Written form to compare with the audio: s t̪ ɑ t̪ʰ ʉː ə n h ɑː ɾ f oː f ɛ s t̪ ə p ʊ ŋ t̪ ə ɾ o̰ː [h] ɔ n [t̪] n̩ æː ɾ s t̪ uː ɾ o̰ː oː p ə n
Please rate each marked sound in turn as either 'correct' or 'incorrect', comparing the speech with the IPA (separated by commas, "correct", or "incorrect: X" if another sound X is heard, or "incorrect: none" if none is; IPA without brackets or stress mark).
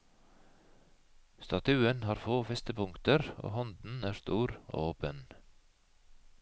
correct, incorrect: d̪